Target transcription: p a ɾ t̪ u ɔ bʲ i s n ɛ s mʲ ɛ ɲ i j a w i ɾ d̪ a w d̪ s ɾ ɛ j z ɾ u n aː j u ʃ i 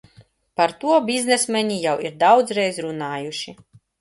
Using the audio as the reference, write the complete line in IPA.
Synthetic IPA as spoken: p a ɾ t̪ u ɔ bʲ i z n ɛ s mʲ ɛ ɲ i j a w i ɾ d̪ a w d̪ z ɾ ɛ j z ɾ u n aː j u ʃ i